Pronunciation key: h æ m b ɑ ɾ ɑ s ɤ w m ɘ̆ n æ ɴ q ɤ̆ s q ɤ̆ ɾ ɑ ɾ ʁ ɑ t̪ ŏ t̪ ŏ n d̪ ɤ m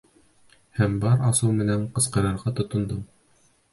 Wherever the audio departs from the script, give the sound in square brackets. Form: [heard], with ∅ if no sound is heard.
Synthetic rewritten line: h æ m b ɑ ɾ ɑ s ɤ w m ɘ̆ n æ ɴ q ɤ̆ s q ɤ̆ ɾ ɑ ɾ ʁ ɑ t̪ ŏ t̪ ŏ n d̪ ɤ m